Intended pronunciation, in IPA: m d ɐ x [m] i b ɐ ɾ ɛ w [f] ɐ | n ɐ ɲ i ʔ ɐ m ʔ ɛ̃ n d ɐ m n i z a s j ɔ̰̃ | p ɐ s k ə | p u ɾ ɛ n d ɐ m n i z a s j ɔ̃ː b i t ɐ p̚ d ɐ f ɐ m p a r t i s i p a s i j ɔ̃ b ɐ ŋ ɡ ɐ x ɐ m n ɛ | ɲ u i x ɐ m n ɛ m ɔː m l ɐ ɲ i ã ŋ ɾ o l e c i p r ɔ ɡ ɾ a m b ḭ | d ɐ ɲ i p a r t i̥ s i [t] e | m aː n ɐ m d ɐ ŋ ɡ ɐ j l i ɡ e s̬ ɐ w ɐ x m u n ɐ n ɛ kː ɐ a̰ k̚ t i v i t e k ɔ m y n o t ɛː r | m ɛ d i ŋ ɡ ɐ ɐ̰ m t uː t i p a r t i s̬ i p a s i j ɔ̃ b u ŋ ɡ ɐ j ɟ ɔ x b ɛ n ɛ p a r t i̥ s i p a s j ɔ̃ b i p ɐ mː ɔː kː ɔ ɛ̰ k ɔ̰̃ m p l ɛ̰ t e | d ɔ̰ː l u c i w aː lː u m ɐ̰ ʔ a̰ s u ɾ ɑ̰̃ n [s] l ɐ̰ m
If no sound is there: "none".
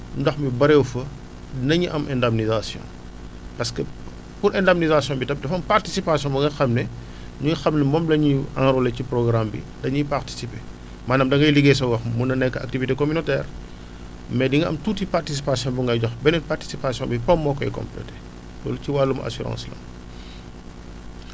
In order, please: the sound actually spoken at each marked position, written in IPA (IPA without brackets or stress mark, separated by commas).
m, f, p, s